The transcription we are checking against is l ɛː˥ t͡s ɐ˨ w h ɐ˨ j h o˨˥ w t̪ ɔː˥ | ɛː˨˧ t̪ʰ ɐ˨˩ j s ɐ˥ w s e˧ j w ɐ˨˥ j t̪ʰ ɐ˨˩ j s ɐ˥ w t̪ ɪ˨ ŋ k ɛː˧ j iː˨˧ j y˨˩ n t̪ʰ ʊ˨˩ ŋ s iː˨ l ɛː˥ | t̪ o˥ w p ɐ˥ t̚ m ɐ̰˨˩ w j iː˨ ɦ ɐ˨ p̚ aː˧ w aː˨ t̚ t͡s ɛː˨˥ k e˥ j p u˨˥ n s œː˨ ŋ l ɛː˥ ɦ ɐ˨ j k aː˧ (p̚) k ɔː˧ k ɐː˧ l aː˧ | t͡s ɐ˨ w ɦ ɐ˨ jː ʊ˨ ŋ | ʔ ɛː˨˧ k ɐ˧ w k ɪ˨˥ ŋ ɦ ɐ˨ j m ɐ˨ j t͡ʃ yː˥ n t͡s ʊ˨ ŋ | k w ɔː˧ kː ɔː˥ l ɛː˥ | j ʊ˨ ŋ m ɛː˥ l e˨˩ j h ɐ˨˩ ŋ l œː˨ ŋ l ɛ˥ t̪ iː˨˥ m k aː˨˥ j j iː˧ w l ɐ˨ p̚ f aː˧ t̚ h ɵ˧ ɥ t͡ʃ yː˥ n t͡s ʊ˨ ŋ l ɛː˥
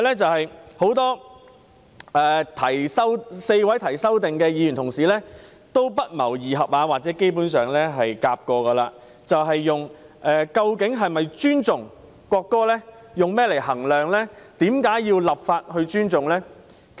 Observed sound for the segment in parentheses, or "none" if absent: p̚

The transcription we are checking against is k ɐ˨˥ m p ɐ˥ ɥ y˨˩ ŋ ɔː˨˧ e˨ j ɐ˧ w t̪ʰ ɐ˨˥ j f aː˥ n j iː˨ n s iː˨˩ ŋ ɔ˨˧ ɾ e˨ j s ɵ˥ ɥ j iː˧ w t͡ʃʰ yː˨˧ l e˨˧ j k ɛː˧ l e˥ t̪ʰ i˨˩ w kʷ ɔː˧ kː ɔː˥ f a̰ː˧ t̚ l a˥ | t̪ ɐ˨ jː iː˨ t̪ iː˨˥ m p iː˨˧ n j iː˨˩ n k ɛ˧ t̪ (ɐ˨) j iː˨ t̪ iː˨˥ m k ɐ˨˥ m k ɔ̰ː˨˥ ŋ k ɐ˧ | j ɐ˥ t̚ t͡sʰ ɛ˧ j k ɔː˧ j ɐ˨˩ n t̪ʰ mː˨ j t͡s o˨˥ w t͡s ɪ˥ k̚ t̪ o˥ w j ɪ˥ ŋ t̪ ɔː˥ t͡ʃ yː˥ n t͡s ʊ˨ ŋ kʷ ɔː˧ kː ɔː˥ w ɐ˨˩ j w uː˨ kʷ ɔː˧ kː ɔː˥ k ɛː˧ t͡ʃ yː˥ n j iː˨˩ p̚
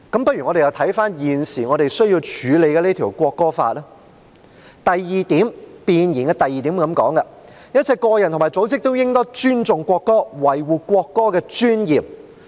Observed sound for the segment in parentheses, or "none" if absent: ɐ˨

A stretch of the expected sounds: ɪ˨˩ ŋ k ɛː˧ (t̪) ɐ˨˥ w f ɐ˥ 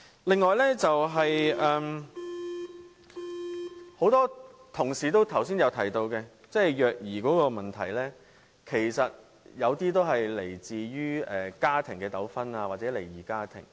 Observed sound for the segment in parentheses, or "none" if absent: t̪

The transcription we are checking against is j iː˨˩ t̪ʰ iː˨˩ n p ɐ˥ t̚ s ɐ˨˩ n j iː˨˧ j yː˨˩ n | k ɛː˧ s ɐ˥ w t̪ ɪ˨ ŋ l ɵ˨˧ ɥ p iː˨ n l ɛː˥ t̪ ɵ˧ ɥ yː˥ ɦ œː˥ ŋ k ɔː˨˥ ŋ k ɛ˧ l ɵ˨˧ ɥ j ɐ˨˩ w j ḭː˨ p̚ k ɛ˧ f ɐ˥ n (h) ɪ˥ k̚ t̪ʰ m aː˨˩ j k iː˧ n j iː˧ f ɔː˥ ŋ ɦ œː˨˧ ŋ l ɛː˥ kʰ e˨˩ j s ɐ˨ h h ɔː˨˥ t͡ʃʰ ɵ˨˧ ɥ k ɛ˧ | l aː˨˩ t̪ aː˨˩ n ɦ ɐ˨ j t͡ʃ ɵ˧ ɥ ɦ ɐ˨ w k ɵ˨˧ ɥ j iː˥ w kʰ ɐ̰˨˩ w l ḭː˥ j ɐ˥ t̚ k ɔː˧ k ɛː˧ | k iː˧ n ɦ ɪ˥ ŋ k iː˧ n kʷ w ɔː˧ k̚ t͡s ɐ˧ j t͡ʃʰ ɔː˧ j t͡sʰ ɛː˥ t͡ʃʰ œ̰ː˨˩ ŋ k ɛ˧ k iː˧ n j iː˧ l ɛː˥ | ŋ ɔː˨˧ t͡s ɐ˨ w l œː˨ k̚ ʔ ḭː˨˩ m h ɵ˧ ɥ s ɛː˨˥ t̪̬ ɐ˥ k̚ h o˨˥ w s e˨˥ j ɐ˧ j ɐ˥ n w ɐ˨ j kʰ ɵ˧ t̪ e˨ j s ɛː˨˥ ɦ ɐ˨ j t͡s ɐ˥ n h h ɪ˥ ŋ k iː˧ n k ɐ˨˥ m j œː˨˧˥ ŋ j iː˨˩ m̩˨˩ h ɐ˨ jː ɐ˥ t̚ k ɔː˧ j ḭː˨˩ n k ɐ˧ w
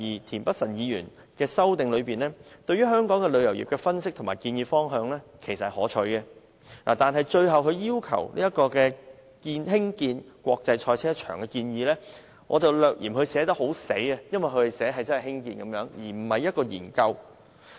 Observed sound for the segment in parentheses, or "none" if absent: s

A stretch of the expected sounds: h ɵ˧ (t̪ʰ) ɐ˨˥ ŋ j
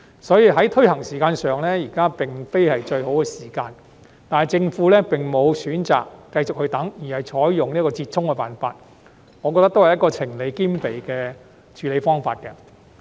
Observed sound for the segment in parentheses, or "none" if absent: t̪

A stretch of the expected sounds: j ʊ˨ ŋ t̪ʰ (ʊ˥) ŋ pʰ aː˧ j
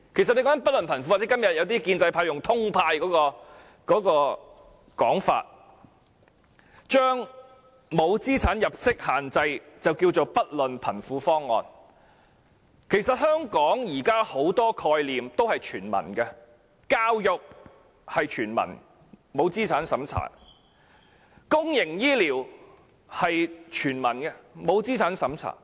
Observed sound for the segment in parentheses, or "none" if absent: ʊ˥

